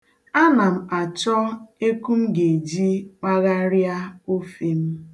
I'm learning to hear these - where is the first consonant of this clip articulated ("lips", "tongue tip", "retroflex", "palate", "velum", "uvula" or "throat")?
tongue tip